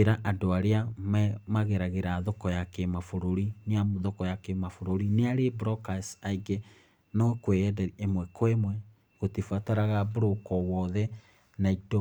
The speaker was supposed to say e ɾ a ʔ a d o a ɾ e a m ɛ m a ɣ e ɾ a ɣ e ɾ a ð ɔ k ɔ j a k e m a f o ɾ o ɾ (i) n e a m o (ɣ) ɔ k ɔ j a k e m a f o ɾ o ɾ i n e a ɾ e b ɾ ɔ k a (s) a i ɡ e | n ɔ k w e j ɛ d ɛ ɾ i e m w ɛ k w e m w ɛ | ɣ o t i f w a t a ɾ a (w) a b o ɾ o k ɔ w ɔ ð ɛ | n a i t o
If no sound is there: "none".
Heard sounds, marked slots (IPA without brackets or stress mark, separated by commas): i, ð, s, ɣ